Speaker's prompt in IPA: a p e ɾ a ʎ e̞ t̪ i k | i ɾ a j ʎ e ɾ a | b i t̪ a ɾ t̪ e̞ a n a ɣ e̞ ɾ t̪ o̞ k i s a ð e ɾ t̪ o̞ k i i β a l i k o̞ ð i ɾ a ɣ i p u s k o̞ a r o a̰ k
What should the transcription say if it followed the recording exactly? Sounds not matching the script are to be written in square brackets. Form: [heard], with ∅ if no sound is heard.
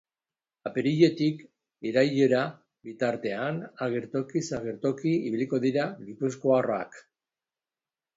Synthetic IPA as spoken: a p e ɾ [i] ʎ e̞ t̪ i k | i ɾ a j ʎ e ɾ a | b i t̪ a ɾ t̪ e̞ a n a ɣ e̞ ɾ t̪ o̞ k i s a [ɣ] e ɾ t̪ o̞ k i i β [i] l i k o̞ ð i ɾ a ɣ i p u s k o̞ a r o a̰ k